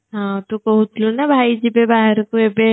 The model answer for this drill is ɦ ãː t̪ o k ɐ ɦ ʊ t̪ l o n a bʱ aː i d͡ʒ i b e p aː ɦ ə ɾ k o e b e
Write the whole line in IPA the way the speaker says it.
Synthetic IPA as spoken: ɦ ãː t̪ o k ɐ ɦ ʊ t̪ l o n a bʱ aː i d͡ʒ i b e b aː ɦ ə ɾ k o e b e